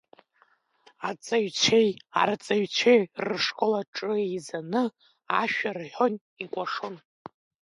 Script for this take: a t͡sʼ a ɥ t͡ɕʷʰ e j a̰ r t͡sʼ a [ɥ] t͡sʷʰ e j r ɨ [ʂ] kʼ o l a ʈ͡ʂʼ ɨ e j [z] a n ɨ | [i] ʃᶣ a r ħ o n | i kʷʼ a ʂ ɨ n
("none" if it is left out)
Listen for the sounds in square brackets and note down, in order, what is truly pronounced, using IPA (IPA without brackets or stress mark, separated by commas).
ɥ, ʂ, z, a